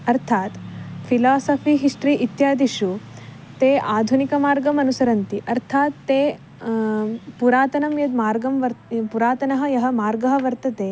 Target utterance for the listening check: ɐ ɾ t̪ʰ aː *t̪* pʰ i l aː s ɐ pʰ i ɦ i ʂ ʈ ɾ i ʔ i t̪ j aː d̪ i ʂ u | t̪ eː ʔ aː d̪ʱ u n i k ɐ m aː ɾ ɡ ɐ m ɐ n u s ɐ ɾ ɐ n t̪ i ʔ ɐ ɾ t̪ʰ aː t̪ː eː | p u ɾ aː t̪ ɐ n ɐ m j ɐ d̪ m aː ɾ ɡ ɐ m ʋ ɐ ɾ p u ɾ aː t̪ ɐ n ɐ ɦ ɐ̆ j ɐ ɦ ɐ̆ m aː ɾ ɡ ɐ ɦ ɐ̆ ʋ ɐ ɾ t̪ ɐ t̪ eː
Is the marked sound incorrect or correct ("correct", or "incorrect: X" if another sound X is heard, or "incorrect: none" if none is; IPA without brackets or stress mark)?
correct